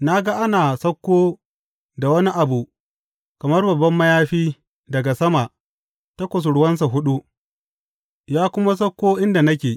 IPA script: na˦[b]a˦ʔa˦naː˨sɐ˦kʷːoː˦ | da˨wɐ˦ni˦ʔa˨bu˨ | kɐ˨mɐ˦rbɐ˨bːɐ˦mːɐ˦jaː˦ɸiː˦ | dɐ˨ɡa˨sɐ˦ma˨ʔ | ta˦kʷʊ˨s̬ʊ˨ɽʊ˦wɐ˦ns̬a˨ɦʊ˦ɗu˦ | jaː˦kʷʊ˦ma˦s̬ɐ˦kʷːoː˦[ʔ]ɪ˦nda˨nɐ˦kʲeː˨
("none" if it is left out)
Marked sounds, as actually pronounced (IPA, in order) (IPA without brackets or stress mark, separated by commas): ɡ, ʔ